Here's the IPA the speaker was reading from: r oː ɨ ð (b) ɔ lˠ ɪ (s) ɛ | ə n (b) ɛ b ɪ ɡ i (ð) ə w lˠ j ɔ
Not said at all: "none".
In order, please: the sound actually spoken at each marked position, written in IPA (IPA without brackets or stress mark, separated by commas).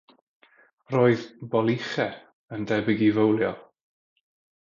b, χ, d, v